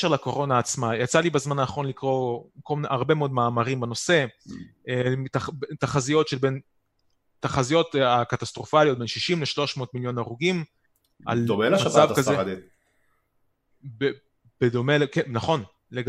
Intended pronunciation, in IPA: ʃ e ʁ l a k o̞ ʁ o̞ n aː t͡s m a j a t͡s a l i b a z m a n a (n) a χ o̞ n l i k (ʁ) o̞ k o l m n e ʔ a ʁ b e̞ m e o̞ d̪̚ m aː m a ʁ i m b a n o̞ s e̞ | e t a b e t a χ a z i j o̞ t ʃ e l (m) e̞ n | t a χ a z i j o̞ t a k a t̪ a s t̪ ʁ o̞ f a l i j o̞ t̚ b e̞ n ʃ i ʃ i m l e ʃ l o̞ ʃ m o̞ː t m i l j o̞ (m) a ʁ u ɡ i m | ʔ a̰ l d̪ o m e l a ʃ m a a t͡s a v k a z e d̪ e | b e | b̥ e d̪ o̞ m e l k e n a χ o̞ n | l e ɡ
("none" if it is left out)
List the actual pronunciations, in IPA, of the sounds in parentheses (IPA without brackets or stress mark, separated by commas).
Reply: n, ʁ, b, n